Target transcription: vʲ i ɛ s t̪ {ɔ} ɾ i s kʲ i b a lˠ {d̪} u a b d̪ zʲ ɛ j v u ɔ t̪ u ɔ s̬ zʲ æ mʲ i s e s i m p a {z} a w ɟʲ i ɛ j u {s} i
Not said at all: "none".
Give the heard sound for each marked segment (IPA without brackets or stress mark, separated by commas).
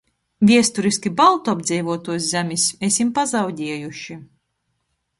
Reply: u, t̪, z, ʃ